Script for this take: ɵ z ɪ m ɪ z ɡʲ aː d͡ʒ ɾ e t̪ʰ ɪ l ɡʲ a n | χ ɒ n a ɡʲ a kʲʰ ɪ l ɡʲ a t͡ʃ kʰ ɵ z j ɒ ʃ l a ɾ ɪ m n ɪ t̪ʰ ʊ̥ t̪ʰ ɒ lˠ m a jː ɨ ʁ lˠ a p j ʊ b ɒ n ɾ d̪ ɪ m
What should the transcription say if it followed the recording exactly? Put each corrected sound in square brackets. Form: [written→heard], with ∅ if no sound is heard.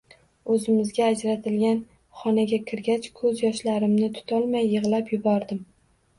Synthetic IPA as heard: ɵ z ɪ m ɪ z ɡʲ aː d͡ʒ ɾ [e→a] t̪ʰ ɪ l ɡʲ a n | χ ɒ n a ɡʲ a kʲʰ ɪ [l→ɾ] ɡʲ a t͡ʃ kʰ ɵ z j ɒ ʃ l a ɾ ɪ m n ɪ t̪ʰ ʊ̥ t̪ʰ ɒ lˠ m a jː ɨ ʁ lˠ a p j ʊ b ɒ [n→∅] ɾ d̪ ɪ m